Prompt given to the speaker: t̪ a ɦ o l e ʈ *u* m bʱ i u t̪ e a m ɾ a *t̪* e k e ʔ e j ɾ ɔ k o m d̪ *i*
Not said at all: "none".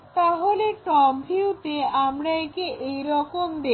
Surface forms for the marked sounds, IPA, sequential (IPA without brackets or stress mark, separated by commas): ɔ, none, e